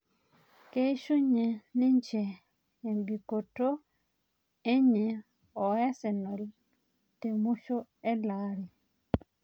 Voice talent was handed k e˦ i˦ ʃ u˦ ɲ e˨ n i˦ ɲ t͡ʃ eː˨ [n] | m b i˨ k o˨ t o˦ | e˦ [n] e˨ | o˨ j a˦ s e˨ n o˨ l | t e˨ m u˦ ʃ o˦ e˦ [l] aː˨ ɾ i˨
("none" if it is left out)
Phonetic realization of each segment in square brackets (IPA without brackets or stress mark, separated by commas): none, ɲ, l